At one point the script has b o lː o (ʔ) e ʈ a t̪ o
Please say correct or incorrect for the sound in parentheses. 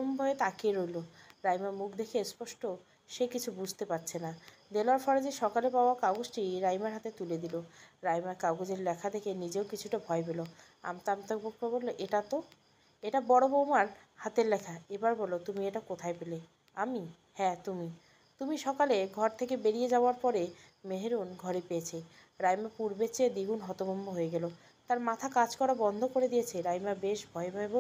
correct